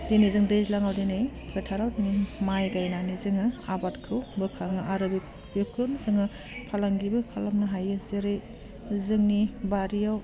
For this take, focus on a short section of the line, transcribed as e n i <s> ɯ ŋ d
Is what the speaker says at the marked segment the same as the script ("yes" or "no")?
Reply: no